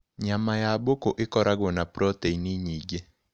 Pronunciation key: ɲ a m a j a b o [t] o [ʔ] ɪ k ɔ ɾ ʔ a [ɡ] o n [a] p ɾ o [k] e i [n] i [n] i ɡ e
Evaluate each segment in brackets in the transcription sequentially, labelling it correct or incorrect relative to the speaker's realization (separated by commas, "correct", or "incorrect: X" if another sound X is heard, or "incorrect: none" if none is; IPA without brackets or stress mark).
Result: incorrect: k, correct, correct, correct, incorrect: t, correct, incorrect: ɲ